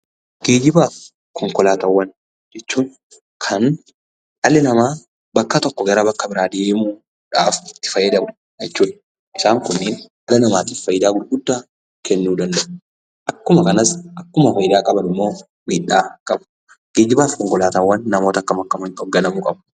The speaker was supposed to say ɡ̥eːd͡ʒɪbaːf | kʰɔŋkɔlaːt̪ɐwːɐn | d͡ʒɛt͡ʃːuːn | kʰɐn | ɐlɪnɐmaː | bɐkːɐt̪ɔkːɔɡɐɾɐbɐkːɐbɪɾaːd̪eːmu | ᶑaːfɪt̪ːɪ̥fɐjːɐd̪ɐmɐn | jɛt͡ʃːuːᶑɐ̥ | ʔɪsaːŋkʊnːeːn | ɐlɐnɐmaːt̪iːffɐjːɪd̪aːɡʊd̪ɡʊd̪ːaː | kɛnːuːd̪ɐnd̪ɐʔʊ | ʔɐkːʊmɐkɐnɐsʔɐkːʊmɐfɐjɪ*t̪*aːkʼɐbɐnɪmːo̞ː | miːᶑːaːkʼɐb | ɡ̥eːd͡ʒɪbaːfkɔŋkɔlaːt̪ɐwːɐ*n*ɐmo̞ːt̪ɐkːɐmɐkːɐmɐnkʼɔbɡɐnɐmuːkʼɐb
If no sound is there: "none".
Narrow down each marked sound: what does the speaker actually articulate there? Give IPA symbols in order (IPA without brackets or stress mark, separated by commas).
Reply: d̪, nː